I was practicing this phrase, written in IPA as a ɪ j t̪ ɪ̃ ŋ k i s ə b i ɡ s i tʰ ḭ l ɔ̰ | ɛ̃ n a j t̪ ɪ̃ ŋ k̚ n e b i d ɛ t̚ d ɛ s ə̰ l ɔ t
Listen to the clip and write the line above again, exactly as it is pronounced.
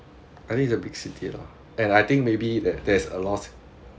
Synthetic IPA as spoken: a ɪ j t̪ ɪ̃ ŋ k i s ə b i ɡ s i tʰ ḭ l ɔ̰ | ɛ̃ n a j t̪ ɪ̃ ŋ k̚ m e b i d ɛ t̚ d ɛ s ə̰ l ɔ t